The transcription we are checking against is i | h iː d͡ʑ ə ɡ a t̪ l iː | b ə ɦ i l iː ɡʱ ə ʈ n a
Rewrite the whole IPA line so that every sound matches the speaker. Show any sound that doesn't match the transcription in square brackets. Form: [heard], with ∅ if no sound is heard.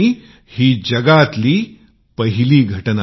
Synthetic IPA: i | h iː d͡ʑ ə ɡ a t̪ l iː | [p] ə ɦ i l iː ɡʱ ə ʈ n a